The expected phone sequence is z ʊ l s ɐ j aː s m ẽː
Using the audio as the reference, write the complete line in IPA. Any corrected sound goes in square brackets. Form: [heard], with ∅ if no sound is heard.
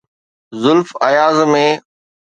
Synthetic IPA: z ʊ l [f] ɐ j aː [z] m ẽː